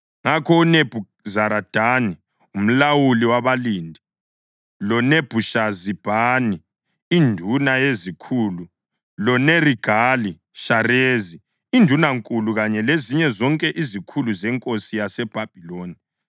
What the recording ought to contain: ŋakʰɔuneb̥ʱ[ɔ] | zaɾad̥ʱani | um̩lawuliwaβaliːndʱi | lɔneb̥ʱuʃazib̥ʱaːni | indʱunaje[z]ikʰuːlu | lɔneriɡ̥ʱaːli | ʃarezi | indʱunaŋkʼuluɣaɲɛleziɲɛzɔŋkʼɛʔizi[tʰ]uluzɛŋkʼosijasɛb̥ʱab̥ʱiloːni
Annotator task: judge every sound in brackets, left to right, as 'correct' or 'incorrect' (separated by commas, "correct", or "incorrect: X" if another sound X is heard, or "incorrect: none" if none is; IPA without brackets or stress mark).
incorrect: u, correct, incorrect: kʰ